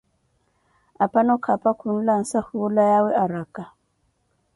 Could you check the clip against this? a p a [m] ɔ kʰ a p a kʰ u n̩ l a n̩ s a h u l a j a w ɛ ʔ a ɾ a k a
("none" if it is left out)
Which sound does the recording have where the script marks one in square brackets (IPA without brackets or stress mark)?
n